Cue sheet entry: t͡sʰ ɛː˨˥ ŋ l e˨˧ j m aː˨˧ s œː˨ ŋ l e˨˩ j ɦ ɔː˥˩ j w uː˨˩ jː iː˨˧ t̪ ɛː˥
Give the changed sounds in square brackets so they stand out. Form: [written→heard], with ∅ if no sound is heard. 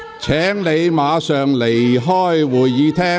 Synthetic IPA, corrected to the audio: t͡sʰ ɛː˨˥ ŋ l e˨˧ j m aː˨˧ s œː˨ ŋ l e˨˩ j ɦ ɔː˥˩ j w uː˨˩ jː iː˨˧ [t̪→t̪ʰ] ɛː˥